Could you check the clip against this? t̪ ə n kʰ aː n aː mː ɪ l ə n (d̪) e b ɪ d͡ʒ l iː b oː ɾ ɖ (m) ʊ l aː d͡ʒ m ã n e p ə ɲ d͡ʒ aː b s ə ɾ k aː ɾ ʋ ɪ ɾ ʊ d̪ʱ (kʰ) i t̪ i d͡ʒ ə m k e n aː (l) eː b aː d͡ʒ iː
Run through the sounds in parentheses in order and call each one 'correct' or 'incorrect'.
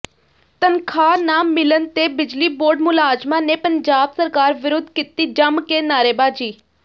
incorrect, correct, incorrect, incorrect

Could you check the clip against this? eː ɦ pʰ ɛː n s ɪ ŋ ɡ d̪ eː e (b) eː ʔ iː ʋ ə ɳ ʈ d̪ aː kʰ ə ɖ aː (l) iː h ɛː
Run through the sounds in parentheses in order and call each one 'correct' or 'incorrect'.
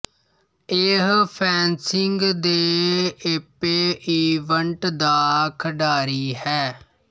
incorrect, incorrect

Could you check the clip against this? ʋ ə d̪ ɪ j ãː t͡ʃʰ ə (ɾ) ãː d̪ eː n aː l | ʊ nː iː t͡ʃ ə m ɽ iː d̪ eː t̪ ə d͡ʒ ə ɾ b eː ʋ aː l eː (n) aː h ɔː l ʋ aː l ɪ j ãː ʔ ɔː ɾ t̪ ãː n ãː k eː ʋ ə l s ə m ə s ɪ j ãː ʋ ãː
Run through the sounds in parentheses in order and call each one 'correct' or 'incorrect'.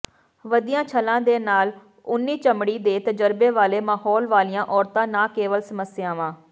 incorrect, incorrect

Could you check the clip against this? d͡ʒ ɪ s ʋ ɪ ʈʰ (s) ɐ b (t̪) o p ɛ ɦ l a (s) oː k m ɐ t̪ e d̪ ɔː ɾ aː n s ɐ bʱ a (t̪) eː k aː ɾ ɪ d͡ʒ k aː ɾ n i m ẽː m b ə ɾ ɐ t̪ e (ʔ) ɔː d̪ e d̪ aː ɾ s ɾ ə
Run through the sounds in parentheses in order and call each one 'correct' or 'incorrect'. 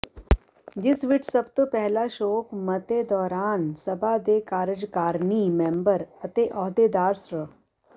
correct, correct, incorrect, incorrect, correct

